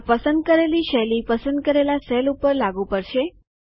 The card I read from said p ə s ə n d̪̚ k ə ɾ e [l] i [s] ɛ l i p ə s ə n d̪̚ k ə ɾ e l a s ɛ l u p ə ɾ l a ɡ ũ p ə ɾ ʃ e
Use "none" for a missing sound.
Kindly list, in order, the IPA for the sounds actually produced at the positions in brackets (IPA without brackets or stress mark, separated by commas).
l, ʃ